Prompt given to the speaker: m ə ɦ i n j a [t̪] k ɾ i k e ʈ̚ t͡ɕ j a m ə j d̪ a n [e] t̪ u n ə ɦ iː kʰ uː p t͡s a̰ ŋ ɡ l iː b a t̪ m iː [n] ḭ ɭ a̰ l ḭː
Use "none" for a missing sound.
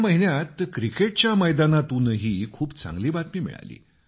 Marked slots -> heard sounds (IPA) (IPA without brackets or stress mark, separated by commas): t̪, a, m